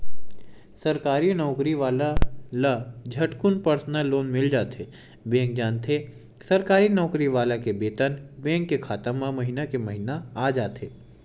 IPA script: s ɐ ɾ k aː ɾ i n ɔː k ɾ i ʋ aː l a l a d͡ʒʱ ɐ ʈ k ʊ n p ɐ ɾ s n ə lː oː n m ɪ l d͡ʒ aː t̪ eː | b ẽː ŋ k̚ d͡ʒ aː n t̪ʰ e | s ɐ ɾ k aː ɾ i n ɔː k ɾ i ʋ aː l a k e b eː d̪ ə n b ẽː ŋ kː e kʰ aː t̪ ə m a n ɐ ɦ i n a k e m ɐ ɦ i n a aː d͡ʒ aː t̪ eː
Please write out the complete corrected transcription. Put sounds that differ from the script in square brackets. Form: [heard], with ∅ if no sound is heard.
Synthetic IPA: s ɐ ɾ k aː ɾ i n ɔː k ɾ i ʋ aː l a l a d͡ʒʱ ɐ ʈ k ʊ n p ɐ ɾ s n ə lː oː n m ɪ l d͡ʒ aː t̪ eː | b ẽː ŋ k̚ d͡ʒ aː n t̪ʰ e | s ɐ ɾ k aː ɾ i n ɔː k ɾ i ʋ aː l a k e b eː [t̪] ə n b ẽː ŋ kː e kʰ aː t̪ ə m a [m] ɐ ɦ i n a k e m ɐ ɦ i n a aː d͡ʒ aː t̪ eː